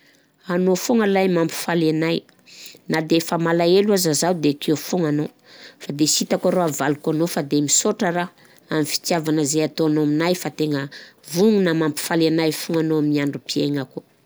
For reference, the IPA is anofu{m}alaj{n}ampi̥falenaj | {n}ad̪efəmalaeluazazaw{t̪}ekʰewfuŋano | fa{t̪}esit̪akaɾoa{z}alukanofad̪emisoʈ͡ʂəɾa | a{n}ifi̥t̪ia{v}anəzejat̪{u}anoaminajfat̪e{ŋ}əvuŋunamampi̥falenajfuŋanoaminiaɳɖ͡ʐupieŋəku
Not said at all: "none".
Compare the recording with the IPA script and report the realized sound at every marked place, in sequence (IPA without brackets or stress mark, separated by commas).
ŋ, m, n, d̪, d̪, v, m, v, o, ŋ